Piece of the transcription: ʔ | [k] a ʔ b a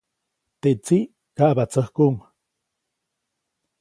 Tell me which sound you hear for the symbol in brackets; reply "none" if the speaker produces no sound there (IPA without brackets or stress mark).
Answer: k